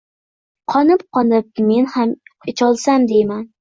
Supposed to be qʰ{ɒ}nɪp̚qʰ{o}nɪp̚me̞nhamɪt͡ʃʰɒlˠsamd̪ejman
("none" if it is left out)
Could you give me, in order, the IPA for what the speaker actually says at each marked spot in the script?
ɒ, ɒ

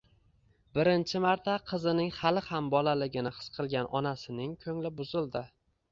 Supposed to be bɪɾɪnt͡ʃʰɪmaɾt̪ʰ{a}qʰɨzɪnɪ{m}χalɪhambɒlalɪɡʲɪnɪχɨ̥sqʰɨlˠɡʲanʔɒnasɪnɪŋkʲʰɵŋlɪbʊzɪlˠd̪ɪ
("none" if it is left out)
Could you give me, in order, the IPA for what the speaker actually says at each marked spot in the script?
a, ŋ

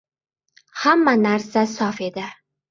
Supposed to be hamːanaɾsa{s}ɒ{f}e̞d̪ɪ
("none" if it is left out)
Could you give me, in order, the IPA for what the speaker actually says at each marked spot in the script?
s, f

